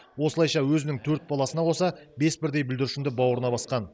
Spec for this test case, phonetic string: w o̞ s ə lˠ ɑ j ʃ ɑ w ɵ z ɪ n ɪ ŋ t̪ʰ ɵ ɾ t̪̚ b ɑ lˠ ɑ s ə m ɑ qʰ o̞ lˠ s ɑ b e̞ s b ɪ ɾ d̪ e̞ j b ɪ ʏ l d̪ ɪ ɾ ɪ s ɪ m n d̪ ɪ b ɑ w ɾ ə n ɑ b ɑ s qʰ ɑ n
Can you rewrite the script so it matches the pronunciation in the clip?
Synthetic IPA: w o̞ s ə lˠ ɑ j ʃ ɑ w ɵ z ɪ n ɪ ŋ t̪ʰ ɵ ɾ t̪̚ b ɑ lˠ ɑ s ə n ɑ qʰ o̞ s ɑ b e̞ s b ɪ ɾ d̪ e̞ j b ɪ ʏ l d̪ ɪ ɾ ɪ ʃ ɪ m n d̪ ɪ b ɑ w ɾ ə n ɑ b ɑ s q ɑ n